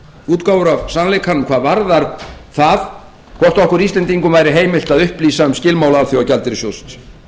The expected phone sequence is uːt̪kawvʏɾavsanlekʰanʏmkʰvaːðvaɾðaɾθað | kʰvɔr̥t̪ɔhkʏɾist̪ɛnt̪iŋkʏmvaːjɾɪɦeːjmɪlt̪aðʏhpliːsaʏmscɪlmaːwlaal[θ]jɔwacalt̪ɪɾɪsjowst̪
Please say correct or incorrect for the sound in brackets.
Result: correct